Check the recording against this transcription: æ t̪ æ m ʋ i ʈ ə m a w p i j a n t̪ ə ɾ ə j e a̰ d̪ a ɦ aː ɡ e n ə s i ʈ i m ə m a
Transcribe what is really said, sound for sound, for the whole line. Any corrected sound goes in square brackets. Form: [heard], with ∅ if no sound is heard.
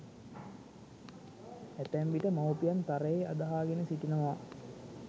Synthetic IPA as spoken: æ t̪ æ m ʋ i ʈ ə m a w p i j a n t̪ [a] ɾ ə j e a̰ d̪ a ɦ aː ɡ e n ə s i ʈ i [n] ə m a